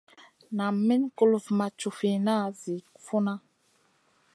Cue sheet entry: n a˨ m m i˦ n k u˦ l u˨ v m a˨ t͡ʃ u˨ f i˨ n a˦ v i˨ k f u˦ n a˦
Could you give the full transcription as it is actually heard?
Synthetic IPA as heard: n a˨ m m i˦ n k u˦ l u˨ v m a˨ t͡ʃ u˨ f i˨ n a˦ z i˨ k f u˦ n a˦

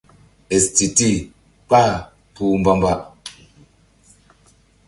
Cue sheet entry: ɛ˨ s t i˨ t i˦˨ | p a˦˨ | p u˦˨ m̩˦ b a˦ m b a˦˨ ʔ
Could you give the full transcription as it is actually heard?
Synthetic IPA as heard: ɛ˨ s t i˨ t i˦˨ | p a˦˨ | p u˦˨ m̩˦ b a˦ m b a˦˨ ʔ

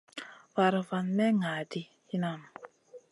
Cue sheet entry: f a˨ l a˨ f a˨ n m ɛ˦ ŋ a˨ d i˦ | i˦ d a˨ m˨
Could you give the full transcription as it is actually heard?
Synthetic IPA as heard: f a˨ ɾ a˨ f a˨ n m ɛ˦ ŋ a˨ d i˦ | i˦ n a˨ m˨

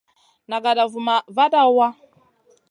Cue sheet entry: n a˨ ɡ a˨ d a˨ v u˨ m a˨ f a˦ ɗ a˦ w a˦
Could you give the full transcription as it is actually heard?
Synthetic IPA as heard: n a˨ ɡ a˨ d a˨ v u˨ m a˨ v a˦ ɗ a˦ w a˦

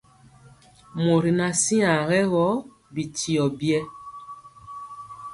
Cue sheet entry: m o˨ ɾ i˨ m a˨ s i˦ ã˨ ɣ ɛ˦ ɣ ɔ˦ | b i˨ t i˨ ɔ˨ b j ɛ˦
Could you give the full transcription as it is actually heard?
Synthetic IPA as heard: m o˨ ɾ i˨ n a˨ s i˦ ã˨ ɣ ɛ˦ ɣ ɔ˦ | b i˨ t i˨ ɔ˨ b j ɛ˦

